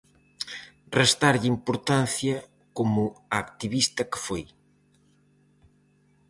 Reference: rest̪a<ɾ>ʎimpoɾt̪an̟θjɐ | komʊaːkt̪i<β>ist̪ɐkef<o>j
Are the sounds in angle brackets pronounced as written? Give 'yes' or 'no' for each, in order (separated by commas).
yes, yes, yes